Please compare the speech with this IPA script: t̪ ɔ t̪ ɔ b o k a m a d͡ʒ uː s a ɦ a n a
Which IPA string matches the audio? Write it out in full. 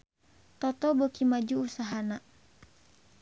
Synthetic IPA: t̪ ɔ t̪ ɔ b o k i m a d͡ʒ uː s a ɦ a n a